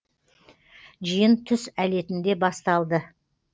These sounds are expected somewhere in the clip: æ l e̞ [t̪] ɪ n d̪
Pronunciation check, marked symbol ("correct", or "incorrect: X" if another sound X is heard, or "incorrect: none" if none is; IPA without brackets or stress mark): correct